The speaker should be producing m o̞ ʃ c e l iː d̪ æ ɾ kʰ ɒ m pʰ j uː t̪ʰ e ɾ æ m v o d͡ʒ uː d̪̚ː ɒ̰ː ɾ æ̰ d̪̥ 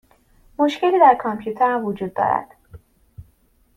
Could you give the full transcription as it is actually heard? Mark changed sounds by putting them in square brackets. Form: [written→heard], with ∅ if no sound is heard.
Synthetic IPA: m o̞ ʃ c e l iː d̪ æ ɾ kʰ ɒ m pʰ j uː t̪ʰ e ɾ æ m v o d͡ʒ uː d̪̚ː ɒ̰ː ɾ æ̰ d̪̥

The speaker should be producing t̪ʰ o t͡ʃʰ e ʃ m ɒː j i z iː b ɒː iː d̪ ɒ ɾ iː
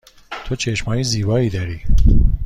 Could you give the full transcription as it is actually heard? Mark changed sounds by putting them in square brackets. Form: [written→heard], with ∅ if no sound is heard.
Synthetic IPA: t̪ʰ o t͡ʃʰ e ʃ m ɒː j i z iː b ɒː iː d̪ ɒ ɾ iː

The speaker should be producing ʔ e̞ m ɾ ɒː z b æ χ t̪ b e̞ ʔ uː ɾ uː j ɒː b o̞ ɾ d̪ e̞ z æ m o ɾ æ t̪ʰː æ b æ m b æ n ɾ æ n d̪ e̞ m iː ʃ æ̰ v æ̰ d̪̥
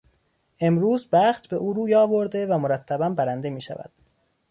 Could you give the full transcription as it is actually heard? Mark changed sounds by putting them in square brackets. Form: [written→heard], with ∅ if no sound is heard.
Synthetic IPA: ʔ e̞ m ɾ [ɒː→uː] z b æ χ t̪ b e̞ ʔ uː ɾ uː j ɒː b o̞ ɾ d̪ e̞ [z→v] æ m o ɾ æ t̪ʰː æ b æ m b æ [n→∅] ɾ æ n d̪ e̞ m iː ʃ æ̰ v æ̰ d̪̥

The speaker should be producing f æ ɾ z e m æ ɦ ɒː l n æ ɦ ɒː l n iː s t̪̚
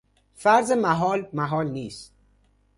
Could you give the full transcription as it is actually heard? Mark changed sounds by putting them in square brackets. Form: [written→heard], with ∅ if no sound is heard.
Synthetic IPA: f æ ɾ z e m æ ɦ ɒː l [n→m] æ ɦ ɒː l n iː s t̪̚

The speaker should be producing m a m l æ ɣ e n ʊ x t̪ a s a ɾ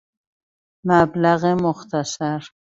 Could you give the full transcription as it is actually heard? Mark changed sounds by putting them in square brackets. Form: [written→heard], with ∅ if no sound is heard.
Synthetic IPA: m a [m→b] l [æ→a] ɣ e [n→m] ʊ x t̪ a s a ɾ

